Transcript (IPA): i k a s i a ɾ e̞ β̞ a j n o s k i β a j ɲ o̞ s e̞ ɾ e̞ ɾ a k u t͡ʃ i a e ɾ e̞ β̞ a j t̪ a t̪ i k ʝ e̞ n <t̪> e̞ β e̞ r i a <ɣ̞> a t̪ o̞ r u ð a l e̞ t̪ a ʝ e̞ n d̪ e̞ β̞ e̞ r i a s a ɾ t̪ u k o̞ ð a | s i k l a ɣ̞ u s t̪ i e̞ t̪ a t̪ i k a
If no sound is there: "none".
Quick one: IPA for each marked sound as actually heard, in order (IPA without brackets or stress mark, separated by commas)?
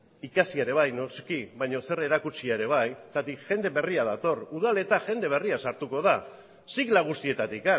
d̪, ð̞